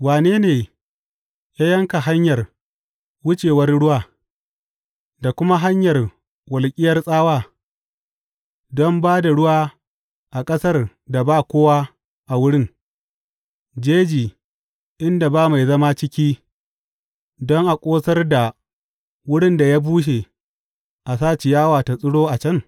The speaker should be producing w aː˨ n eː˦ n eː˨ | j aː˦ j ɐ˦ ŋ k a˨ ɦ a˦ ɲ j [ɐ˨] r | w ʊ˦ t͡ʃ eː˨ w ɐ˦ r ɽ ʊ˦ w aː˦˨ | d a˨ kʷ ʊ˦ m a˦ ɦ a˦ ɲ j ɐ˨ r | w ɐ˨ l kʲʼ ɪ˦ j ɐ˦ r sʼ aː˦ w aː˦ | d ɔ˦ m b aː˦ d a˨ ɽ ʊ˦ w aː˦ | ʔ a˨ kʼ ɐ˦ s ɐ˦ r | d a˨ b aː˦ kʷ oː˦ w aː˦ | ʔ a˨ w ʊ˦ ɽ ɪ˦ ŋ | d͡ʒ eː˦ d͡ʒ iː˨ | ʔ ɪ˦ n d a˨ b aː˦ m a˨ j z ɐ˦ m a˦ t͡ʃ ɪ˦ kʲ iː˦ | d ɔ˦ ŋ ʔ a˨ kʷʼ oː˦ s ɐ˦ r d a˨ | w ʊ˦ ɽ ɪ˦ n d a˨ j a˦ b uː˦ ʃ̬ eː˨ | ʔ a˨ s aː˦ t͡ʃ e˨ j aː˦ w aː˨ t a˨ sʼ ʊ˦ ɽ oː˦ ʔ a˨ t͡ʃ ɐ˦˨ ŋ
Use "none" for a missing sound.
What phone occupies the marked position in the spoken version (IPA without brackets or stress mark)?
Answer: ɐ˨